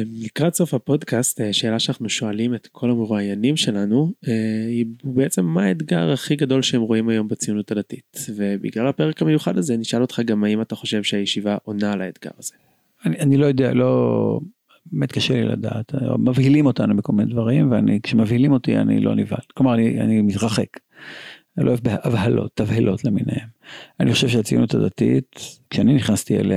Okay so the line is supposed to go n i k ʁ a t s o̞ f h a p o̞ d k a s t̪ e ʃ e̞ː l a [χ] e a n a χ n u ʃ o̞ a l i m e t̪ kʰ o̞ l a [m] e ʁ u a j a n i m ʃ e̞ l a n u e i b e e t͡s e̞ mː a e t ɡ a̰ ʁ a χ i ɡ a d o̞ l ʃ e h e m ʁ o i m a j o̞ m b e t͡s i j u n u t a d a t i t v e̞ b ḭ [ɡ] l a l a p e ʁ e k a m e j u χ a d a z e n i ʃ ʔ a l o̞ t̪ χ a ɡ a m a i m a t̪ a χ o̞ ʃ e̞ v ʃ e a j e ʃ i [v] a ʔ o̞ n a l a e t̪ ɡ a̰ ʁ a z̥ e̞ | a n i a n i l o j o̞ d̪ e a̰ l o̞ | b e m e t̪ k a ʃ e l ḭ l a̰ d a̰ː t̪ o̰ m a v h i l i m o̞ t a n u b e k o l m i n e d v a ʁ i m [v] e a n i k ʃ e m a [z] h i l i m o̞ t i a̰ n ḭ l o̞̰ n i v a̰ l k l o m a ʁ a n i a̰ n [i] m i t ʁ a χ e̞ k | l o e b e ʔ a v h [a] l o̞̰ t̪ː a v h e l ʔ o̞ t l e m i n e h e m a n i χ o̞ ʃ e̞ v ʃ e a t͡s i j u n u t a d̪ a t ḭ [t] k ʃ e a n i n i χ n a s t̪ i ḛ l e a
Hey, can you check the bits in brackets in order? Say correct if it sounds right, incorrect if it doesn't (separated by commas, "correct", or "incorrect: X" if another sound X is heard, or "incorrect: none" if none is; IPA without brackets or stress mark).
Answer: incorrect: ʃ, correct, correct, correct, correct, incorrect: v, correct, correct, correct